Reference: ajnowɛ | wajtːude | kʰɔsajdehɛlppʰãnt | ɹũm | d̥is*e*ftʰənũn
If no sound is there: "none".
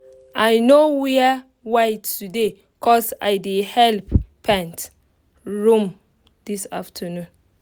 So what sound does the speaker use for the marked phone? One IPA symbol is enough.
a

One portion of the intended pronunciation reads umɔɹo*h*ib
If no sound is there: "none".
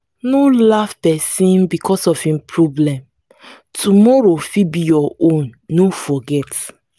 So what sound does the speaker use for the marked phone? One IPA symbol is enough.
f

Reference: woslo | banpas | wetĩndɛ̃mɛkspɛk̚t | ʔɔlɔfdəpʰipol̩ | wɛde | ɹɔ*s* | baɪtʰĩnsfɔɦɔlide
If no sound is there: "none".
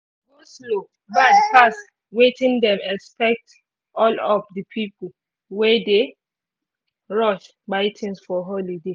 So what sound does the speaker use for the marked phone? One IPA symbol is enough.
ʃ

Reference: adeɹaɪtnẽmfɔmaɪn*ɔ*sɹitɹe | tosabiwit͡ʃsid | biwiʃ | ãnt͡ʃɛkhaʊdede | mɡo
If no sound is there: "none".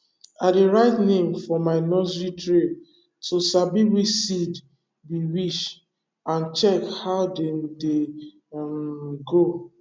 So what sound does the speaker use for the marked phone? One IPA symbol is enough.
ɔ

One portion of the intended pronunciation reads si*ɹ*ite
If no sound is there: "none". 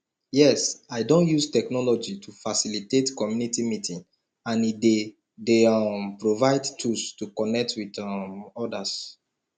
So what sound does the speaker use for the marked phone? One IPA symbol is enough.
l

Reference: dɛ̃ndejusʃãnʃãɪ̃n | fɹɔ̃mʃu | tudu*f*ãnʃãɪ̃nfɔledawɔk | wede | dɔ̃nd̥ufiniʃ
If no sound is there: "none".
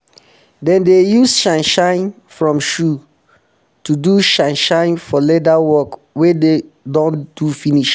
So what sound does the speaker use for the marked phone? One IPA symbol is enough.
ʃ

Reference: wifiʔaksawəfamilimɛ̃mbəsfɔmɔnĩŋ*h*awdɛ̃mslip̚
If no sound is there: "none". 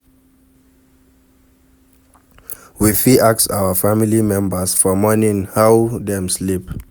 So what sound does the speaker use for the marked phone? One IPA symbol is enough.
h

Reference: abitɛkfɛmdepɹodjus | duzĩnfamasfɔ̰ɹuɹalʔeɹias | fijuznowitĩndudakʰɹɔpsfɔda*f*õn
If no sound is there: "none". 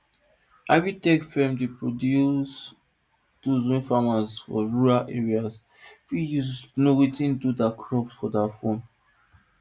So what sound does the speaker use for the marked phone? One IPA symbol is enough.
f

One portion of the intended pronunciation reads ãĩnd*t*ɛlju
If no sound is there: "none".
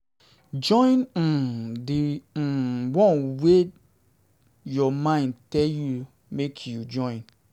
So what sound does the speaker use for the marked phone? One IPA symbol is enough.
t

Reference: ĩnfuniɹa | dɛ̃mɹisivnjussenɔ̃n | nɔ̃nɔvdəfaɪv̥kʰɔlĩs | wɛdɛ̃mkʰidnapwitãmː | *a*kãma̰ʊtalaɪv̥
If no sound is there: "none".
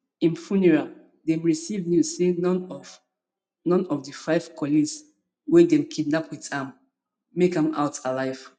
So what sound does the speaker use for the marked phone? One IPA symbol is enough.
e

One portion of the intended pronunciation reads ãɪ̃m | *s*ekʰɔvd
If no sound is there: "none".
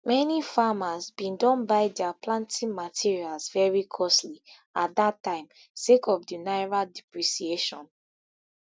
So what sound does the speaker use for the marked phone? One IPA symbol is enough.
s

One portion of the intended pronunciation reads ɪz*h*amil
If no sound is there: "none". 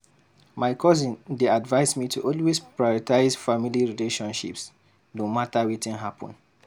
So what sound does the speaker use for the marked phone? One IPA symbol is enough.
f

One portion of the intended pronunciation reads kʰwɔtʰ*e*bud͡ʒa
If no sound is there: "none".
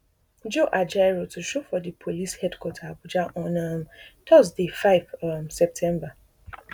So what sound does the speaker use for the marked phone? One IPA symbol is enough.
a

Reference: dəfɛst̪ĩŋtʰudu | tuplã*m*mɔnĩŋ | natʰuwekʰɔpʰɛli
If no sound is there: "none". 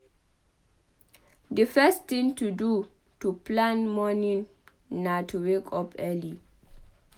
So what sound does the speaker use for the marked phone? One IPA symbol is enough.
n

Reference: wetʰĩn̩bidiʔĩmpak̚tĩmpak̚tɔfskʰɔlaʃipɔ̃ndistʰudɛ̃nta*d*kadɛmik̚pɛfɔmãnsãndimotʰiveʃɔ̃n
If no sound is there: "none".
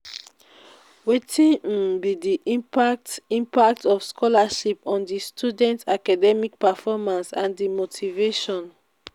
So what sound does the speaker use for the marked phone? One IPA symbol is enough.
none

